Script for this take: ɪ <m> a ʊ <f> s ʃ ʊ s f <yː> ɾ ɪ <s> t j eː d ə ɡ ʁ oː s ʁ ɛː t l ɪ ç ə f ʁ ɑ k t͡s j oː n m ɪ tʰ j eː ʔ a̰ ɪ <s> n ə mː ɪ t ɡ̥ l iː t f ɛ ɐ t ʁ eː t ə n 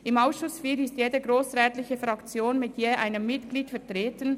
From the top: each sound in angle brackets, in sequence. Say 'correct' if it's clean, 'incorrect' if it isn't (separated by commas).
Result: correct, incorrect, incorrect, correct, incorrect